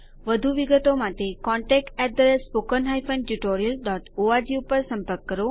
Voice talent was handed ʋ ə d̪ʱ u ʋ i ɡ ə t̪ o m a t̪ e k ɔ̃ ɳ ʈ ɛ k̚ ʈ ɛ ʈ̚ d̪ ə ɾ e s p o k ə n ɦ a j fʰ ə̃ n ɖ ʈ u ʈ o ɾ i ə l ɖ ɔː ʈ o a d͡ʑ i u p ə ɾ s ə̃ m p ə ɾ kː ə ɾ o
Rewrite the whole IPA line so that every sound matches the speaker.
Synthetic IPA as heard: ʋ ə d̪ʱ u ʋ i ɡ ə t̪ o m a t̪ e k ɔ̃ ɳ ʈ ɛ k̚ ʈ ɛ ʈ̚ d̪ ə ɾ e s p o k ə n ɦ a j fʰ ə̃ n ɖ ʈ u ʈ o ɾ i ə l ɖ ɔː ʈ o a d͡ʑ i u p ə ɾ s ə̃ m p ə ɾ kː ə ɾ o